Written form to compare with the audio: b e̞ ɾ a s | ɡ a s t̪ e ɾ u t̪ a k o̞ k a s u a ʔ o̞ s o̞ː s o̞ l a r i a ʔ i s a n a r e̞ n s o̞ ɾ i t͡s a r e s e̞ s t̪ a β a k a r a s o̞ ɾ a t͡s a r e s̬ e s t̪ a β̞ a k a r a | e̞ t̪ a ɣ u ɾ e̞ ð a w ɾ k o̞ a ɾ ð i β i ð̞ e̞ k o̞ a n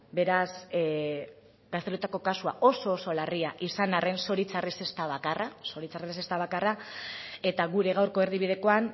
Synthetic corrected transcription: b e̞ ɾ a s | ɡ a s t̪ e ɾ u t̪ a k o̞ k a s u a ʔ o̞ s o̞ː s o̞ l a r i a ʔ i s a n a r e̞ n s o̞ ɾ i t͡s a r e s e̞ s t̪ a β a k a r a s o̞ ɾ i t͡s a r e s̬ e s t̪ a β̞ a k a r a | e̞ t̪ a ɣ u ɾ e̞ ɣ a w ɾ k o̞ e ɾ ð i β i ð̞ e̞ k o̞ a n